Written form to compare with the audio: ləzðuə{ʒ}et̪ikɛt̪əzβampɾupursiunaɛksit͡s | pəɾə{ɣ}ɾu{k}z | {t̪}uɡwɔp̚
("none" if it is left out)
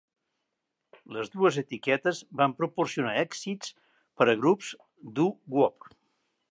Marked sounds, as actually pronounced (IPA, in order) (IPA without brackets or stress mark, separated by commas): z, ɣ, p, d̪